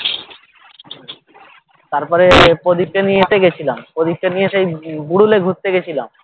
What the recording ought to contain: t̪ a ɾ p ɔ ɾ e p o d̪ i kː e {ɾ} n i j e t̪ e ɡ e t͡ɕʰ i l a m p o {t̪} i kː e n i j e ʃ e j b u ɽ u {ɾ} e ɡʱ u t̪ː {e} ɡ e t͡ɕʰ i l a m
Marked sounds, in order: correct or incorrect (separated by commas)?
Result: incorrect, incorrect, incorrect, correct